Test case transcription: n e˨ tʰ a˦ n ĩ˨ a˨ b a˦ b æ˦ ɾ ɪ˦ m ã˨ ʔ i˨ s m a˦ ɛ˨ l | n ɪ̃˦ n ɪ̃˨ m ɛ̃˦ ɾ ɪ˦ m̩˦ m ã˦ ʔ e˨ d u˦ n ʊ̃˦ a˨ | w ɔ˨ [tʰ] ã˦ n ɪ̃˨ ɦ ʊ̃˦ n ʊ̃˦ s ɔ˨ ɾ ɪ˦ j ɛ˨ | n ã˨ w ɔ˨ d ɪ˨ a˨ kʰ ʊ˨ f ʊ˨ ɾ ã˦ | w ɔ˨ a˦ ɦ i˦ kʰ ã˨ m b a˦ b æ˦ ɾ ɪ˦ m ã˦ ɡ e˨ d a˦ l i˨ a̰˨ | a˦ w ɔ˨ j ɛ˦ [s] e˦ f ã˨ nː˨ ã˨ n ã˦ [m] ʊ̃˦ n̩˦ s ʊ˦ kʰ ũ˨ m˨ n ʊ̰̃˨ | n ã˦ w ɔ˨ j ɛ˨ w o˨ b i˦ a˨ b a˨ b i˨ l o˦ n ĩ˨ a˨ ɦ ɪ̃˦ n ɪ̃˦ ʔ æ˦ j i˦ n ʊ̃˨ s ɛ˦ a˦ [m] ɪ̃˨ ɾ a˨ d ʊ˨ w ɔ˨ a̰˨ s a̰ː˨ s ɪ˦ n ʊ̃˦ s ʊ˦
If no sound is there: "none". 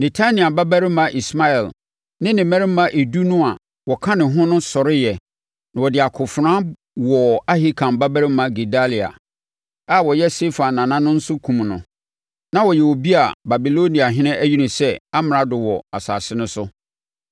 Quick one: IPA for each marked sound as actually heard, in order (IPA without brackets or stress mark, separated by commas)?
kʰ, s, n, m